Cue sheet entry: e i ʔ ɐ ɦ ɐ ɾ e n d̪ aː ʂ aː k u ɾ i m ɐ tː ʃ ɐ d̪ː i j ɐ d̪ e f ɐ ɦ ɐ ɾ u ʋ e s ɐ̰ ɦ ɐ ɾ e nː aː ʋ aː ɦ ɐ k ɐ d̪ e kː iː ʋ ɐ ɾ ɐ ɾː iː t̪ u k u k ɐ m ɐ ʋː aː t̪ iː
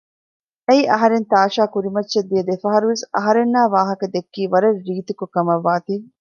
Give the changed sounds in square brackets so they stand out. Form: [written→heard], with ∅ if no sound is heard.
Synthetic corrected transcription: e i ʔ ɐ ɦ ɐ ɾ e n [d̪→t̪] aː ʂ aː k u ɾ i m ɐ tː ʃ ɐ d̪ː i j ɐ d̪ e f ɐ ɦ ɐ ɾ u ʋ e s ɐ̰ ɦ ɐ ɾ e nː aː ʋ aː ɦ ɐ k ɐ d̪ e kː iː ʋ ɐ ɾ ɐ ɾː iː t̪ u k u k ɐ m ɐ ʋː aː t̪ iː